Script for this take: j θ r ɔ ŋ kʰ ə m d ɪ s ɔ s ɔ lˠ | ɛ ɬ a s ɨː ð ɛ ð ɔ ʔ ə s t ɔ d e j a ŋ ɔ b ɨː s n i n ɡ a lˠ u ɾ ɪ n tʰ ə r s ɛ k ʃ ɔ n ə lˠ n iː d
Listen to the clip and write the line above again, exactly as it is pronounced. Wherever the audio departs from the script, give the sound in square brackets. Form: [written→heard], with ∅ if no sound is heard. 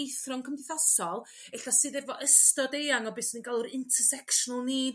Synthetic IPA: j θ r ɔ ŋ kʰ ə m d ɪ [s→θ] ɔ s ɔ lˠ | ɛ ɬ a s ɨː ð ɛ [ð→v] ɔ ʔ ə s t ɔ d e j a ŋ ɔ b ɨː s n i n ɡ a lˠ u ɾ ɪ n tʰ ə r s ɛ k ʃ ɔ n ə lˠ n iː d